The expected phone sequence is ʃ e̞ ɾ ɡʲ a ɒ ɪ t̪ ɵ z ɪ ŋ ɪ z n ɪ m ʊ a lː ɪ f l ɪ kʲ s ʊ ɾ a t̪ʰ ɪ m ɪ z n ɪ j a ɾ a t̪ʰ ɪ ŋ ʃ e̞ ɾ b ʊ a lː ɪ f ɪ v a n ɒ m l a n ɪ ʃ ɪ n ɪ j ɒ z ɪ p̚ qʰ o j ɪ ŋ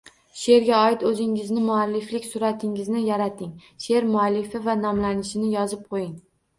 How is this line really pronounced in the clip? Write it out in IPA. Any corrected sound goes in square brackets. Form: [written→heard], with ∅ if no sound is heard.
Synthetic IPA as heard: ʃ e̞ ɾ ɡʲ a ɒ ɪ t̪ ɵ z ɪ ŋ ɪ z n ɪ m ʊ a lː ɪ f l ɪ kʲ s ʊ ɾ a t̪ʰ ɪ [m→ŋ] ɪ z n ɪ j a ɾ a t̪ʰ ɪ ŋ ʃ e̞ ɾ [b→m] ʊ a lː ɪ f ɪ v a n ɒ m l a n ɪ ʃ ɪ n ɪ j ɒ z ɪ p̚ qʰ o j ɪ ŋ